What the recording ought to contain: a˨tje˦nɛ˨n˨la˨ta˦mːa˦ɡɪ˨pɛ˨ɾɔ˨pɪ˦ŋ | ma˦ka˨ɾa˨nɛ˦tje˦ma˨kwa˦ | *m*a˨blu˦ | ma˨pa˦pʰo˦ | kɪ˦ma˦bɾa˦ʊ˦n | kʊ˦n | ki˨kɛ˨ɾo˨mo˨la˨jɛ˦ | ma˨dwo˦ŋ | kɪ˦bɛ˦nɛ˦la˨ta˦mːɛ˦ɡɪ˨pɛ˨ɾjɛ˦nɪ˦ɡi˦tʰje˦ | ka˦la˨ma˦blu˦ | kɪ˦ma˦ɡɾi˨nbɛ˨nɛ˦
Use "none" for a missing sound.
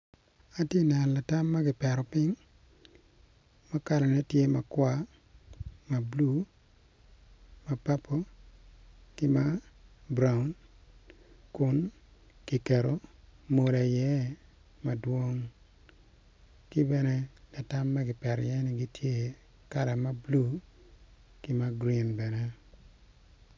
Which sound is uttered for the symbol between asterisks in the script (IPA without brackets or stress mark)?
m